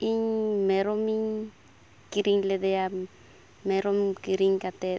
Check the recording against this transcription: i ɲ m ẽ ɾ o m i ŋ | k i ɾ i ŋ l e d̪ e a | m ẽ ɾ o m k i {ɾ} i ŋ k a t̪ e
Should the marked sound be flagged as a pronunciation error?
no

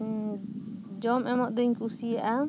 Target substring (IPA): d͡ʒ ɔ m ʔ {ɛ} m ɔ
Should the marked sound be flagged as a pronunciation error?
no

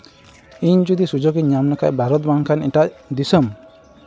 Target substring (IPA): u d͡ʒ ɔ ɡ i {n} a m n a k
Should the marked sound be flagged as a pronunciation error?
yes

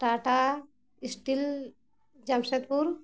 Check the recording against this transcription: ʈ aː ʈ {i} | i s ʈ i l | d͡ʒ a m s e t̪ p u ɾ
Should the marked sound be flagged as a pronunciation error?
yes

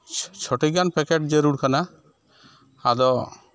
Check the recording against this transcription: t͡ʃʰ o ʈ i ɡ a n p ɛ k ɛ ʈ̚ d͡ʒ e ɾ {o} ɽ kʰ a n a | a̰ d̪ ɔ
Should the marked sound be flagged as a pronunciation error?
yes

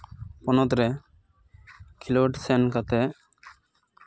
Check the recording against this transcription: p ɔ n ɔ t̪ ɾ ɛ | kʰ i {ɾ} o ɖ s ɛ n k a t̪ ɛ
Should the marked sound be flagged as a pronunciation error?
yes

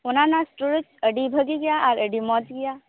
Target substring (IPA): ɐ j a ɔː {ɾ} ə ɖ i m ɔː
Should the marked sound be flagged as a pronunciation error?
no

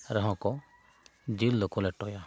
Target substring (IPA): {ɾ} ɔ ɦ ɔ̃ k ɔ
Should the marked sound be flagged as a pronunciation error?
no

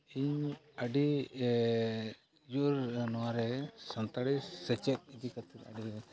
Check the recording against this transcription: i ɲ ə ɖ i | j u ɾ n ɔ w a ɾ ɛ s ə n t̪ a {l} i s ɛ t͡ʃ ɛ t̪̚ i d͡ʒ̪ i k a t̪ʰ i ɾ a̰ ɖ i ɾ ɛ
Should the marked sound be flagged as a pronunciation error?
yes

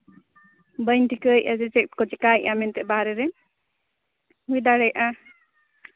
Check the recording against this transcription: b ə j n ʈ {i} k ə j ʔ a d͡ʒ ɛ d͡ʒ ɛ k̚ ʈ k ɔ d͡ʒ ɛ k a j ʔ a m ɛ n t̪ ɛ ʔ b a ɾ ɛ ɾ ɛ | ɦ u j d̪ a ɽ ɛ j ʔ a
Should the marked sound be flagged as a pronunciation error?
no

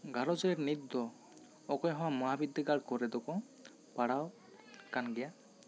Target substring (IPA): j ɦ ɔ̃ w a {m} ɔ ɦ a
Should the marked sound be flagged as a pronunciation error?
no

